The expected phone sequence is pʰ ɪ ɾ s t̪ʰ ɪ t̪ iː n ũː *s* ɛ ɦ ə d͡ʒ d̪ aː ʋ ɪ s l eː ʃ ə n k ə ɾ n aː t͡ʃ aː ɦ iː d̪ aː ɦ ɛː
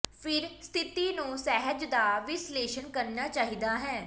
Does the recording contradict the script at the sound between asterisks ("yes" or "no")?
no